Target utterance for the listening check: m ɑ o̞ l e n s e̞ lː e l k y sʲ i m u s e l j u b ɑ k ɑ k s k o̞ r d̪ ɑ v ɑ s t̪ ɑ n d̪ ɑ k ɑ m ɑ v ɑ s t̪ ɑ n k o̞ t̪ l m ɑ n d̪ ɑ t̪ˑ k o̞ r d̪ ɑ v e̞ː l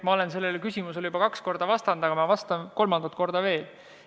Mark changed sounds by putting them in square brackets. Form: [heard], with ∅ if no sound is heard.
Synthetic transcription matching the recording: m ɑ o̞ l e n s e̞ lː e l k y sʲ i m u s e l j u b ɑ k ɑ k s k o̞ r d̪ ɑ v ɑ s t̪ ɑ n d̪ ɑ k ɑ m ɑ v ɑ s t̪ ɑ n k o̞ [∅] l m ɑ n d̪ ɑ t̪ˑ k o̞ r d̪ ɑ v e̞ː l